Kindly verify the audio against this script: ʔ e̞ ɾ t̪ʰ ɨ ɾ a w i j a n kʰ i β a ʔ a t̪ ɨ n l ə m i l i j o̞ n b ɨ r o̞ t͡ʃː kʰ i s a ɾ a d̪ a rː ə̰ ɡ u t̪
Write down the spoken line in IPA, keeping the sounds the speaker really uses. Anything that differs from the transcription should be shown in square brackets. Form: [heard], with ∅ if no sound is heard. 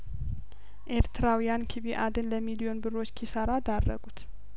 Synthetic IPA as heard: ʔ e̞ ɾ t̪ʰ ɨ ɾ a w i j a n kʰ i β [i] ʔ a [d̪] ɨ n l ə m i l i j o̞ n b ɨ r o̞ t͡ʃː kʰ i s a ɾ a d̪ a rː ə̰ ɡ u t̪

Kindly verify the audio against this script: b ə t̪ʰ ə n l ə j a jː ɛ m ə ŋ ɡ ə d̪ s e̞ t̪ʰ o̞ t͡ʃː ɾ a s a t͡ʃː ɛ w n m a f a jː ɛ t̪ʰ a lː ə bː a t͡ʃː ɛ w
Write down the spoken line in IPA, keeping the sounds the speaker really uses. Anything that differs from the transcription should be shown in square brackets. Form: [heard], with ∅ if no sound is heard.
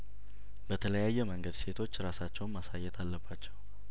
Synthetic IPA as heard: b ə t̪ʰ ə [∅] l ə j a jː ɛ m ə ŋ ɡ ə d̪ s e̞ t̪ʰ o̞ t͡ʃː ɾ a s a t͡ʃː ɛ w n m a [s] a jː ɛ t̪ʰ a lː ə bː a t͡ʃː ɛ w

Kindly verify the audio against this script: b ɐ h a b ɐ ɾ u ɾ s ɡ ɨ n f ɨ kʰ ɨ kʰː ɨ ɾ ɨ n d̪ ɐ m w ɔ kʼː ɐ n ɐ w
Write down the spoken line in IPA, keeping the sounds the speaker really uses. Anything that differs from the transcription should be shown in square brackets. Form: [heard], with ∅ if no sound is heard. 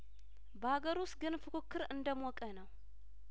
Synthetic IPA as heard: b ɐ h a [ɡ] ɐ ɾ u [∅] s ɡ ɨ n f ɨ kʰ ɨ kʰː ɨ ɾ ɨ n d̪ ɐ m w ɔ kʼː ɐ n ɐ w

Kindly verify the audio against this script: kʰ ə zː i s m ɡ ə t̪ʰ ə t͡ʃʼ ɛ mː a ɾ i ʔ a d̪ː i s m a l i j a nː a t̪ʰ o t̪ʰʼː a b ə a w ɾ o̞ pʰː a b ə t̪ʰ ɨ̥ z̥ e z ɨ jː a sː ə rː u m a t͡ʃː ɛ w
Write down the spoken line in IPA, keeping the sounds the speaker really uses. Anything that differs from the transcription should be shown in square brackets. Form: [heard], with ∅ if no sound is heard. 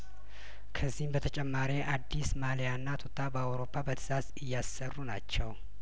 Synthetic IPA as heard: kʰ ə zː i [h] m [b] ə t̪ʰ ə t͡ʃʼ ɛ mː a ɾ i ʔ a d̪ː i s m a l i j a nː a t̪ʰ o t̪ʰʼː a b ə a w ɾ o̞ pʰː a b ə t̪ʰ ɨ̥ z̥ [a] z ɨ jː a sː ə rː u [n] a t͡ʃː ɛ w

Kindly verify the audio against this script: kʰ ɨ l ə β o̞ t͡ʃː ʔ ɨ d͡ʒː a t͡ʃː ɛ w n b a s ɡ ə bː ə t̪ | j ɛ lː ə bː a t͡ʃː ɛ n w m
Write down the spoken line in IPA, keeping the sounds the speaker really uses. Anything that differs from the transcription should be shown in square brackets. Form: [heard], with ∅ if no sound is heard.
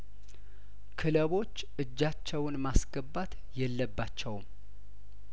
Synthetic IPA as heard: kʰ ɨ l ə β o̞ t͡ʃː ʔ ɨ d͡ʒː a t͡ʃː ɛ w n [m] a s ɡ ə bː [a] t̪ | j ɛ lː ə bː a t͡ʃː ɛ [∅] w m

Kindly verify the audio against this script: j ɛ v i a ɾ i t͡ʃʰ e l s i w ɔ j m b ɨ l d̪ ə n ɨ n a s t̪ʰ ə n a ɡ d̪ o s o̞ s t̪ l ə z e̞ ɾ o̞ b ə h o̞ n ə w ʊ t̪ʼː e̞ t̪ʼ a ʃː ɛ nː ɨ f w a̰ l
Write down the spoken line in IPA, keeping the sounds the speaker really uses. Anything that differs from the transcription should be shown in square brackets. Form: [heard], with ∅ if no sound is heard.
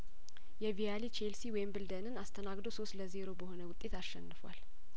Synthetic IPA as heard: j ɛ v i a [l] i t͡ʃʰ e l s i w ɔ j m b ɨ l d̪ ə n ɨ n a s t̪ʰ ə n a ɡ d̪ o s o̞ s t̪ l ə z e̞ ɾ o̞ b ə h o̞ n ə w ʊ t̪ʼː e̞ [t̪] a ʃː ɛ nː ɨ f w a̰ l

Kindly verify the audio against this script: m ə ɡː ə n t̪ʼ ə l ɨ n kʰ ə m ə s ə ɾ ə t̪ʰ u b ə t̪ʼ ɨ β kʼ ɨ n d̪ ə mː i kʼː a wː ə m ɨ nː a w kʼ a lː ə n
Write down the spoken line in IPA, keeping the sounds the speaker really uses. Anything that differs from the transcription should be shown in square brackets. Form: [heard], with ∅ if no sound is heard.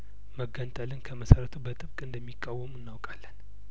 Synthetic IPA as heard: m ə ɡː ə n t̪ʼ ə l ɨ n kʰ ə m ə s ə ɾ ə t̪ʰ u b ə t̪ʼ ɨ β kʼ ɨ n d̪ ə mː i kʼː a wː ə m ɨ nː a w kʼ a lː ə n

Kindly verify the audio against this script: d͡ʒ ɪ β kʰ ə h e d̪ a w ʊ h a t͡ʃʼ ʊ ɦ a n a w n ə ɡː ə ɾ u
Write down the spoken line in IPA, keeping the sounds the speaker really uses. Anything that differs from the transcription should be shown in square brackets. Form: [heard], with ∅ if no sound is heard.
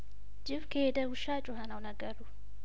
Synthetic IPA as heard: d͡ʒ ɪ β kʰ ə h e d̪ [ə] w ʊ [ʃ] a t͡ʃʼ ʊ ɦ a n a w n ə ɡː ə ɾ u

